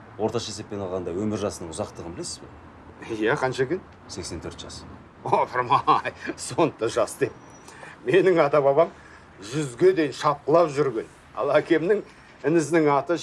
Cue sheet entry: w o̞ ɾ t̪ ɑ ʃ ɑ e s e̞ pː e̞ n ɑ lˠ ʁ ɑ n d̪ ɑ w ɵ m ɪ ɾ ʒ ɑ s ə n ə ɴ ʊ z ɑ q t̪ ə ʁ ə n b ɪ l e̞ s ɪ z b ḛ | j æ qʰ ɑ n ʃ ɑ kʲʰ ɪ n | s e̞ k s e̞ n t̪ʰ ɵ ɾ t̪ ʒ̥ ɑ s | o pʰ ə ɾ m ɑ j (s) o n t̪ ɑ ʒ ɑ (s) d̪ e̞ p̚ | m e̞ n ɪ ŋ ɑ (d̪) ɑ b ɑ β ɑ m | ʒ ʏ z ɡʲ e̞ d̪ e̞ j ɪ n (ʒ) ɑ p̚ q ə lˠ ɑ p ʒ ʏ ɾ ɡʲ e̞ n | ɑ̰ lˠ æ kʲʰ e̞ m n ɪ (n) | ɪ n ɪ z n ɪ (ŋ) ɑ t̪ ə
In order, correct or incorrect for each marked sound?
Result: correct, correct, incorrect: t̪, incorrect: ʃ, incorrect: ŋ, correct

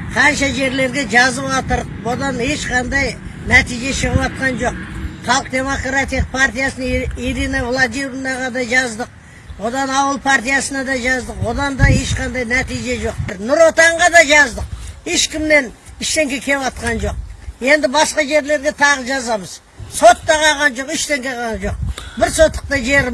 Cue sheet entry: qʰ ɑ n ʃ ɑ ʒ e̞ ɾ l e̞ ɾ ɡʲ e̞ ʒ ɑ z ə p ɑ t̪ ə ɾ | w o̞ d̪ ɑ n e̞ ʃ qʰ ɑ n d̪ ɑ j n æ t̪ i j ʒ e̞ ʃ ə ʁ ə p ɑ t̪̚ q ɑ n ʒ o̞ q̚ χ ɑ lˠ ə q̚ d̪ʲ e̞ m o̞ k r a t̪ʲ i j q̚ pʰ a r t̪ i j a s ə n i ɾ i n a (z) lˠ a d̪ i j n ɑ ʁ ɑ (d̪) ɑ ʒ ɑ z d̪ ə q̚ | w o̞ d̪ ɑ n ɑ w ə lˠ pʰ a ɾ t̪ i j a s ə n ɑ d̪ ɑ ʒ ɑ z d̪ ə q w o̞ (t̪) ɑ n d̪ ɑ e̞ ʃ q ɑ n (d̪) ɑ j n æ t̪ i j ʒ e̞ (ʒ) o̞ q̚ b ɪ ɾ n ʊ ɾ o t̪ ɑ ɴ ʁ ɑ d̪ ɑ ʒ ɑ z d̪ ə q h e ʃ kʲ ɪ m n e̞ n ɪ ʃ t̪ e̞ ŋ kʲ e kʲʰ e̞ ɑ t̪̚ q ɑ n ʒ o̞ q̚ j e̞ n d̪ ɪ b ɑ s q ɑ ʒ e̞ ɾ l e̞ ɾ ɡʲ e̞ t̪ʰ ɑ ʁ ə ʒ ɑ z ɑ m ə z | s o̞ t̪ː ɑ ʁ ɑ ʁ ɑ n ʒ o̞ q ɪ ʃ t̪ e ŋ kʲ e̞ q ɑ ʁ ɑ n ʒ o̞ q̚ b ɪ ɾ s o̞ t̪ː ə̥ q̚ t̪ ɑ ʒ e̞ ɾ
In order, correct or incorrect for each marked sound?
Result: incorrect: v, correct, incorrect: d̪, correct, correct

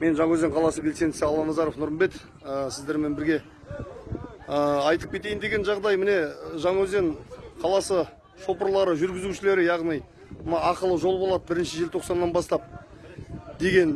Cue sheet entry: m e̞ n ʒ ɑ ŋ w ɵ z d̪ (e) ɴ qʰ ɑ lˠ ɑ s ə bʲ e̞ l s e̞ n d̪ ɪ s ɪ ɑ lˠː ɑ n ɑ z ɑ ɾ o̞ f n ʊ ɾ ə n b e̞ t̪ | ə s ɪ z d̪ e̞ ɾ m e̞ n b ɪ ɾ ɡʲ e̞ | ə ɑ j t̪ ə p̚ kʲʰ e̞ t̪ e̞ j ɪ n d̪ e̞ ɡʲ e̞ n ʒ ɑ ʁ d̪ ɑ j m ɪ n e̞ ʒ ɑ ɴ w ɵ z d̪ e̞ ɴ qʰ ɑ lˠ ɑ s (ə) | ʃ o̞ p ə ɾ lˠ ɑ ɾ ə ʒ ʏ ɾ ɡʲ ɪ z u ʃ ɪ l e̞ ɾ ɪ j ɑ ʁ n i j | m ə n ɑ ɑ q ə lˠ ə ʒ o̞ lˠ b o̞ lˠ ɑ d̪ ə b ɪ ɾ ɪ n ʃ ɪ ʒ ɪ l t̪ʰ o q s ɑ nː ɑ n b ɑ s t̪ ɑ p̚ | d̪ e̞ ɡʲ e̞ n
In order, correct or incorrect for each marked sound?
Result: correct, correct

